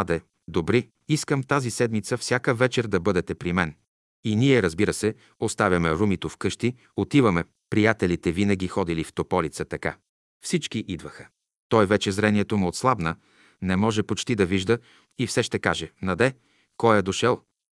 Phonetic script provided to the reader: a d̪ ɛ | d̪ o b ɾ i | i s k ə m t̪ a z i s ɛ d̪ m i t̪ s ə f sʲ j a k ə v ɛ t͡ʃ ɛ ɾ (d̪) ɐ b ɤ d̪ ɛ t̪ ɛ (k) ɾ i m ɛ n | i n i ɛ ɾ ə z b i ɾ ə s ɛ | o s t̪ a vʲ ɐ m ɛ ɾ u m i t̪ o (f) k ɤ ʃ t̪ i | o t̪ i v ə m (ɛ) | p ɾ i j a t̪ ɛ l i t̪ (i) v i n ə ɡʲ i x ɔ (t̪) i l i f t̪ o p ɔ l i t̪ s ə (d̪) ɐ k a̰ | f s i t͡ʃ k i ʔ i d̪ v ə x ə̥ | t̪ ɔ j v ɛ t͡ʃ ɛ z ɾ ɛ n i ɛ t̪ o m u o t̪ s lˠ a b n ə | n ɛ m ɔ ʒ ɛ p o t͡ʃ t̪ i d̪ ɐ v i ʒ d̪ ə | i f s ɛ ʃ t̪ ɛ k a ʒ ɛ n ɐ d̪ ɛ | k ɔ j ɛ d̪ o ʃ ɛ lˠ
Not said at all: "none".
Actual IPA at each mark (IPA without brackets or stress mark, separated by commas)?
d̪, p, f, ɛ, ɛ, d̪, t̪